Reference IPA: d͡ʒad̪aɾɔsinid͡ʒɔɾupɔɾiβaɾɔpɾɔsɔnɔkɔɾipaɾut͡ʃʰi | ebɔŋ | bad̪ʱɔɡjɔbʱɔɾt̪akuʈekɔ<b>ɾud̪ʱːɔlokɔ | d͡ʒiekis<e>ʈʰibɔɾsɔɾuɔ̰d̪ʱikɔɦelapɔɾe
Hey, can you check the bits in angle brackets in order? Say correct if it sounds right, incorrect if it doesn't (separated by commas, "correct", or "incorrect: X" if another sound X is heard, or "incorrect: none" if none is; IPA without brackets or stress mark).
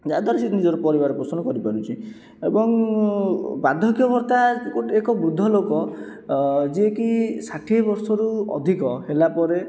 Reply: correct, incorrect: a